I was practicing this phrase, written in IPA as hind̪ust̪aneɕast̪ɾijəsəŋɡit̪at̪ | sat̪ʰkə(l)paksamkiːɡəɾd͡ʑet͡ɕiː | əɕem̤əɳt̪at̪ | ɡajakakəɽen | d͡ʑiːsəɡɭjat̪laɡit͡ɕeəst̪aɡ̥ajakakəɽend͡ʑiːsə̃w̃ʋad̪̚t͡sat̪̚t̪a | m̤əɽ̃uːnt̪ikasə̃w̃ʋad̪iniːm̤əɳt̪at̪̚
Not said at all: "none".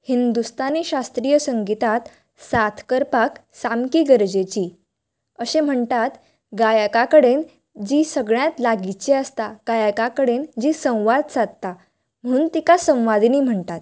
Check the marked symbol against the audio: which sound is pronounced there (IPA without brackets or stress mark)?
ɾ